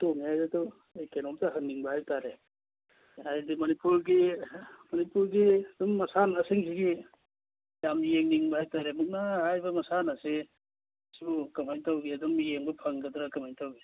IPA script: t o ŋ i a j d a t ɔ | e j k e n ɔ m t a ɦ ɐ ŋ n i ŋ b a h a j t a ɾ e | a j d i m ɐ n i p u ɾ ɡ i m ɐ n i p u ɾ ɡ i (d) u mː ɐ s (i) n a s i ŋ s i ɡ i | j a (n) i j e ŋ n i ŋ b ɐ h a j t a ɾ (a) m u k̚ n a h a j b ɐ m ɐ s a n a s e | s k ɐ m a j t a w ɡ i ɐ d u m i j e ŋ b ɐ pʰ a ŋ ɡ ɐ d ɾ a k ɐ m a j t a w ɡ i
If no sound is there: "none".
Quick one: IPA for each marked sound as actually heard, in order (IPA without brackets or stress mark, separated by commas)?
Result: d, a, m, e